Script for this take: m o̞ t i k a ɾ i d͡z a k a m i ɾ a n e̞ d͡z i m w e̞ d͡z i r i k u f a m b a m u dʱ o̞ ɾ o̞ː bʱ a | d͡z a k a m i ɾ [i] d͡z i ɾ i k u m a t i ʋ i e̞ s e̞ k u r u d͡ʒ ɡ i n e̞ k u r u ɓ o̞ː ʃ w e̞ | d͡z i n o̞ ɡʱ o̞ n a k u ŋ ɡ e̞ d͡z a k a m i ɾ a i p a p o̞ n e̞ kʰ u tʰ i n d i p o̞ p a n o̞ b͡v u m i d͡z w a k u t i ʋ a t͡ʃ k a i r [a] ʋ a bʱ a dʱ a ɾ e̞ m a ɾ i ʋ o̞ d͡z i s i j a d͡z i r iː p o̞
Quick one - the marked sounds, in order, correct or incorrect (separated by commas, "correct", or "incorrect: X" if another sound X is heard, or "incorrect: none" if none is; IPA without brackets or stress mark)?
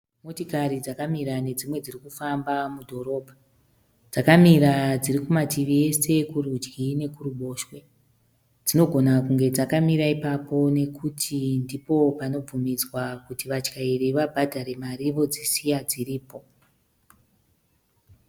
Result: incorrect: a, incorrect: i